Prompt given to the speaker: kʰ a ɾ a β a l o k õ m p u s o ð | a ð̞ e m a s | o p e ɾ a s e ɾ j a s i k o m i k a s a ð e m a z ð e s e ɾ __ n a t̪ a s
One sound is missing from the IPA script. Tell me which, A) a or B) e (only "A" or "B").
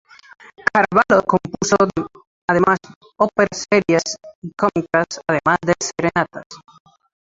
B